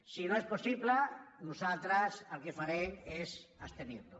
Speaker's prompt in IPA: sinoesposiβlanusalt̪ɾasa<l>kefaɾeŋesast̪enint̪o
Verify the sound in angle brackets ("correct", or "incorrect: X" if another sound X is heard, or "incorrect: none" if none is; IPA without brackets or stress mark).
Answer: correct